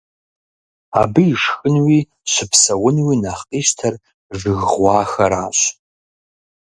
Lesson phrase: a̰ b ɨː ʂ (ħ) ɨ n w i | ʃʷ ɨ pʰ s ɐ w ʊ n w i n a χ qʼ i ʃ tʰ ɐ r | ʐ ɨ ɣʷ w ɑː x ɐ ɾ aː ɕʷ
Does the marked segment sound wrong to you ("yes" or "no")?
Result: yes